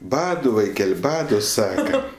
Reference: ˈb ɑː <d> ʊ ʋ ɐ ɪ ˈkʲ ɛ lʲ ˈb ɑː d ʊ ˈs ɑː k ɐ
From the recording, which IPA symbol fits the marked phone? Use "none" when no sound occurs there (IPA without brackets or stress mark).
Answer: d